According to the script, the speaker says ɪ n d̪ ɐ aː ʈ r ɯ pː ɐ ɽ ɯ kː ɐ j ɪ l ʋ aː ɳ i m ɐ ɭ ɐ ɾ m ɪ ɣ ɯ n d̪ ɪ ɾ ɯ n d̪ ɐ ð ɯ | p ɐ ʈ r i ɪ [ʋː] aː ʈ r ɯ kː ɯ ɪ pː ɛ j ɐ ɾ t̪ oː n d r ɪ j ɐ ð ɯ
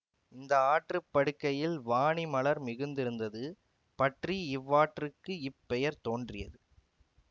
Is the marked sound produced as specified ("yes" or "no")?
yes